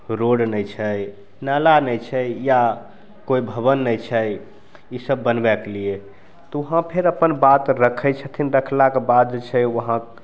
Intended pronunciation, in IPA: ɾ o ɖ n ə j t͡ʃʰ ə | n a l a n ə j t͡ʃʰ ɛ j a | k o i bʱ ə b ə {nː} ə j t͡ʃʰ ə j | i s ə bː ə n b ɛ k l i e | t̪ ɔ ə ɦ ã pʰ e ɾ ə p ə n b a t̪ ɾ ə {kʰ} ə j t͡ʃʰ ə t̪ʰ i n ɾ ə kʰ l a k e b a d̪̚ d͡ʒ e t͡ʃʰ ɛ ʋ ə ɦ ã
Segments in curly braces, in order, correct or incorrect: correct, correct

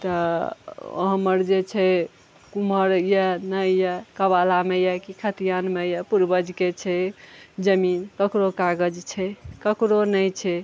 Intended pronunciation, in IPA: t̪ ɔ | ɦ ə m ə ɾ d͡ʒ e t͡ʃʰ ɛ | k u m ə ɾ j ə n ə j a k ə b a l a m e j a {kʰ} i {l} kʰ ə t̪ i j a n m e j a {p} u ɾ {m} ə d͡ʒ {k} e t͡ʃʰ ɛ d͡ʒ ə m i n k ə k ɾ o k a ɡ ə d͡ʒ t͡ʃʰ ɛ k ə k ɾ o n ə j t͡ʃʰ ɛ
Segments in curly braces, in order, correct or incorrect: incorrect: k, incorrect: none, correct, incorrect: b, correct

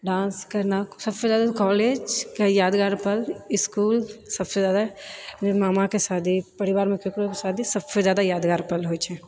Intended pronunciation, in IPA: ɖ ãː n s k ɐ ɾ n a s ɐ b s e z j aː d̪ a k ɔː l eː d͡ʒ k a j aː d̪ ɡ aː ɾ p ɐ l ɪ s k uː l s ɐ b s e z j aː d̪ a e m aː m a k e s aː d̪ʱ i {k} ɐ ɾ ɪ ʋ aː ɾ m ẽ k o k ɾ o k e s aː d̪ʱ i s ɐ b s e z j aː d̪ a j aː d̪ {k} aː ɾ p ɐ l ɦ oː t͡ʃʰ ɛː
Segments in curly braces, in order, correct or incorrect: incorrect: p, incorrect: ɡ

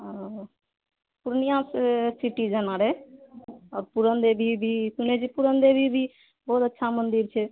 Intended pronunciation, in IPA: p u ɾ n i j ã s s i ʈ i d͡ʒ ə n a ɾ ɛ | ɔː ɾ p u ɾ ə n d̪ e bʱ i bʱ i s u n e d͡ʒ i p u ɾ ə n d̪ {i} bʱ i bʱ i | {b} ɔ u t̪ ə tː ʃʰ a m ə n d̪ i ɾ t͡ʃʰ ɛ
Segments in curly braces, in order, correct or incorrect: incorrect: e, correct

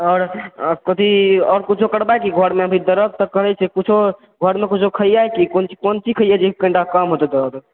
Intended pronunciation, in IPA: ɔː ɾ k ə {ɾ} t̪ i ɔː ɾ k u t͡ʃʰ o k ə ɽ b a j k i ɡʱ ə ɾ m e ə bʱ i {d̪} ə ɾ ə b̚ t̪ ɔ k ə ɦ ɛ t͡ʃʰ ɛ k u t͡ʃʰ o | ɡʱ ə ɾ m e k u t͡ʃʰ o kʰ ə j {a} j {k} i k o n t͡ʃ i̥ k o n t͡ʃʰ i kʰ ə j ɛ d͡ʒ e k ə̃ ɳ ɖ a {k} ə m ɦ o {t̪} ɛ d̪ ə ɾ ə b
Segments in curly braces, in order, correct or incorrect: incorrect: none, correct, correct, correct, correct, correct

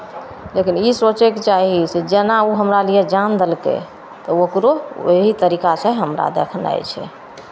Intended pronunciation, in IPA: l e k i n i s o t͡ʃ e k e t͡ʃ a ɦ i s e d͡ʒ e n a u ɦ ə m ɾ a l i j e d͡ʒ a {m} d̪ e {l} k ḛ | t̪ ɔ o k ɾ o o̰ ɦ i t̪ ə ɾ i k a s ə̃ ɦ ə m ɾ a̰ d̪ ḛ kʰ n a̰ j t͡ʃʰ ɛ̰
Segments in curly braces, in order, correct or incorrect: incorrect: n, correct

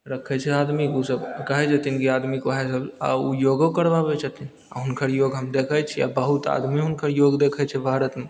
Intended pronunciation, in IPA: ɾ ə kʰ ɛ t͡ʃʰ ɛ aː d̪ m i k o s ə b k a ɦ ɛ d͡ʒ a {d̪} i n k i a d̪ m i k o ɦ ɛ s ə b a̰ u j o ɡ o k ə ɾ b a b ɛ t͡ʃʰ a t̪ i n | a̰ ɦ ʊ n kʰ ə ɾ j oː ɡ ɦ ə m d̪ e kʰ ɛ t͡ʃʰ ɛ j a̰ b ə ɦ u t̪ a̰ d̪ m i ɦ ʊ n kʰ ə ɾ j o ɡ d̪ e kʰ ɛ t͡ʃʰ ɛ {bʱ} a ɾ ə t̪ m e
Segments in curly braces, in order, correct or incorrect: incorrect: t̪, correct

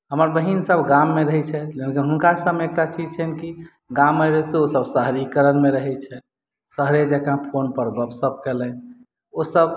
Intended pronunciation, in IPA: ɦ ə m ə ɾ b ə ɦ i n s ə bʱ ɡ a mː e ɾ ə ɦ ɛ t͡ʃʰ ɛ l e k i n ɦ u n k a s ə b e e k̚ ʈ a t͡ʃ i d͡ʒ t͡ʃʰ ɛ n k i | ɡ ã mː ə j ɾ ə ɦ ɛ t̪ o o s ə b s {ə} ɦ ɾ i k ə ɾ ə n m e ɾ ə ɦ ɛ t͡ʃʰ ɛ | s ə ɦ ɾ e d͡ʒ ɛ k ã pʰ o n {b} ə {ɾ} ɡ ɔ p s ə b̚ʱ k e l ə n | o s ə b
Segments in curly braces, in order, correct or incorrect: correct, incorrect: p, correct

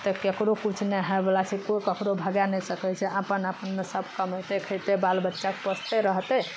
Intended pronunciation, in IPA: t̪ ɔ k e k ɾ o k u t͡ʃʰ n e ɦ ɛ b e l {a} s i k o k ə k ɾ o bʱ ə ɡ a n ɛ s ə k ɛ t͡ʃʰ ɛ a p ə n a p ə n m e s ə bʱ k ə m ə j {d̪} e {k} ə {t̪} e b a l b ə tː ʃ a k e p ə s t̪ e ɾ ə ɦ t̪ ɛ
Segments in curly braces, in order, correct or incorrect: correct, incorrect: t̪, incorrect: kʰ, correct

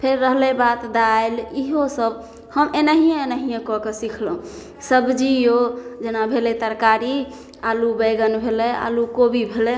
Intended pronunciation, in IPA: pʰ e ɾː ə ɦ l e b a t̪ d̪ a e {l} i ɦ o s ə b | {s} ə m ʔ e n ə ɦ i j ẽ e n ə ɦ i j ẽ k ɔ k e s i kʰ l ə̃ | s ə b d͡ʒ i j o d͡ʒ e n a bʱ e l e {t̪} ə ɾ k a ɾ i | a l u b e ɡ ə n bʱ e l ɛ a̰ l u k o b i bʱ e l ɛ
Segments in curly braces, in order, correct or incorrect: correct, incorrect: h, correct

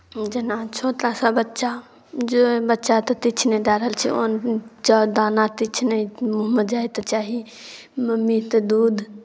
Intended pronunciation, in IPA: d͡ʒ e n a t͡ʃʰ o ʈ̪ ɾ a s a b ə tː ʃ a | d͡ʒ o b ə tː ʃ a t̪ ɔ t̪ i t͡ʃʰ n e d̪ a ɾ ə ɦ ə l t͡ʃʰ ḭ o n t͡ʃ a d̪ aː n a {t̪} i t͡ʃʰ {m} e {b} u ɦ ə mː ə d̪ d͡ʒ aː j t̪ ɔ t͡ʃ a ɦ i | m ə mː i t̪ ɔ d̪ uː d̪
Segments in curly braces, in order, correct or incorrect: correct, incorrect: n, incorrect: m

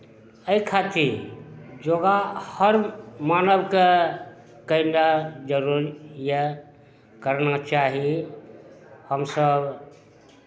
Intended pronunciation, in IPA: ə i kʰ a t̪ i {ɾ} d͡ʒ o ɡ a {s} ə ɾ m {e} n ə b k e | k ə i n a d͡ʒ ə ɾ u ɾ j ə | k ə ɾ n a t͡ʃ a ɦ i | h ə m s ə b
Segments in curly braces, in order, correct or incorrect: correct, incorrect: h, incorrect: a

